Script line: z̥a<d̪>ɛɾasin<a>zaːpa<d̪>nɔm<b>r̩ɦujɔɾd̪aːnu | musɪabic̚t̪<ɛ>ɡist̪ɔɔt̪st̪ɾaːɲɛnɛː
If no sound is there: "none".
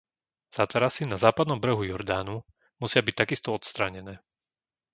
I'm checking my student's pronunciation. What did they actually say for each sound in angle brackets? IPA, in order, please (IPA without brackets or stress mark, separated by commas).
t̪, a, d̪, b, a